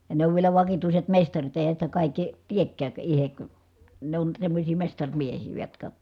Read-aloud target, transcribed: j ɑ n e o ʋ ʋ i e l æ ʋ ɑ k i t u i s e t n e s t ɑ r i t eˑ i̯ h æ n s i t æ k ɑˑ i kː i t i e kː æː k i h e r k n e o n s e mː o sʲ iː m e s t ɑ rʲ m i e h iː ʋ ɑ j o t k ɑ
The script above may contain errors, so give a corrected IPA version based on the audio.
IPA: j ɑ n e o ʋ ʋ i e l æ ʋ ɑ k i t u i s e t m e s t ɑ r i t eˑ i̯ h æ n s i t æ k ɑˑ i kː i t i e kː æː k i h e k n e o n s e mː o sʲ iː m e s t ɑ rʲ m i e h iː ʋ ɑ j o t k ɑ